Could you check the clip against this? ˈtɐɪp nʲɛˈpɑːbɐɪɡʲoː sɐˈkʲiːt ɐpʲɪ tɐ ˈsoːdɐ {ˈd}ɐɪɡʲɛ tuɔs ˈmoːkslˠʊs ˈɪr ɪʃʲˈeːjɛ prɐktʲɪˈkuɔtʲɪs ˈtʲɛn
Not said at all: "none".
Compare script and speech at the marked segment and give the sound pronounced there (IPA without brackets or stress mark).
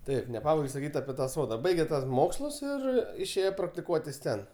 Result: b